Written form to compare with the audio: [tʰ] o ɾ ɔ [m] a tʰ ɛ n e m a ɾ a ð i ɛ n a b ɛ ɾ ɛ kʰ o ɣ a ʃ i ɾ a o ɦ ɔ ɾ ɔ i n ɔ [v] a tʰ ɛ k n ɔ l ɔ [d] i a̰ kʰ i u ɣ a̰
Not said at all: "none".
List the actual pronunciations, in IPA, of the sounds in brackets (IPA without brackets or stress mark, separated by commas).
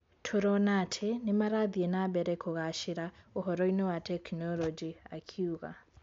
tʰ, n, w, d͡ʒ